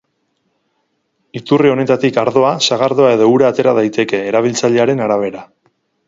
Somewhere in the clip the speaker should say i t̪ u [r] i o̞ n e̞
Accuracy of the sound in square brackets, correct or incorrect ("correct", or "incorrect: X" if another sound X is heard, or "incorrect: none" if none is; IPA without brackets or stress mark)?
correct